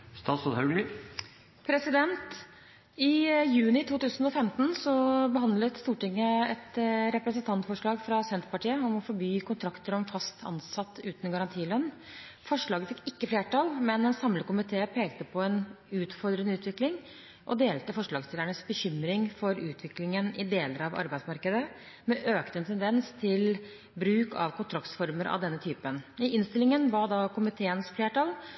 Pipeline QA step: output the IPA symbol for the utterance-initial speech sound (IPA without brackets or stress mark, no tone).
s